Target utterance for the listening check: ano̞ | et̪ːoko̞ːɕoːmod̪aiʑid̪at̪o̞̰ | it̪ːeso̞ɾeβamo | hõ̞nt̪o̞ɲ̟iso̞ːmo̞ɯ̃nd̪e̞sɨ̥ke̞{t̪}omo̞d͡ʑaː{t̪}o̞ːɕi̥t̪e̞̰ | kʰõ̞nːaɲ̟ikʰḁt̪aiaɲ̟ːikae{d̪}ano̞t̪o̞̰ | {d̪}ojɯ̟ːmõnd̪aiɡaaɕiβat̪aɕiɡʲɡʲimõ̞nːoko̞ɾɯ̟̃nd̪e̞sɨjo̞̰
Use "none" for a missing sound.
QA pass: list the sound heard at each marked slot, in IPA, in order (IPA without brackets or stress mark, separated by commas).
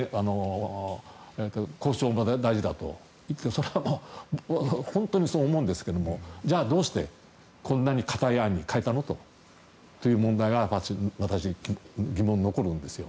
d̪, d̪, t̪, t̪